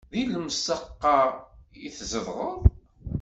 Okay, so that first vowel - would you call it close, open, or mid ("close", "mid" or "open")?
close